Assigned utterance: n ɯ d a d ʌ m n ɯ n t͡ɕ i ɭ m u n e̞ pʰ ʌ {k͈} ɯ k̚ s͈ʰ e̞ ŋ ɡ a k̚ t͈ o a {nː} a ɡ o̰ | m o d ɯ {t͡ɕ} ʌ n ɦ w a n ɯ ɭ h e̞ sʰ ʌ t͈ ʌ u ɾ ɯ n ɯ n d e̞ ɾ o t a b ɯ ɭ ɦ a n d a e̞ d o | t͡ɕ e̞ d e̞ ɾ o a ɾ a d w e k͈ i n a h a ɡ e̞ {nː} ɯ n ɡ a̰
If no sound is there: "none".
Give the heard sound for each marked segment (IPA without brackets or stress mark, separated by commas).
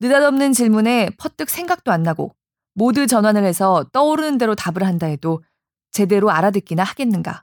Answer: t͈, nː, t͡ɕ, nː